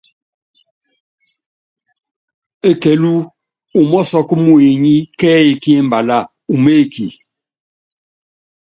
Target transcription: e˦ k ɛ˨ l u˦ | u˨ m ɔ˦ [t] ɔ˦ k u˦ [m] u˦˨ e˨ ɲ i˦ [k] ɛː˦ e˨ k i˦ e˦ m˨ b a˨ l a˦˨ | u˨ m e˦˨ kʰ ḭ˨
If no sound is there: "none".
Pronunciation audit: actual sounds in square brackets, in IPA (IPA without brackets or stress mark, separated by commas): s, m, k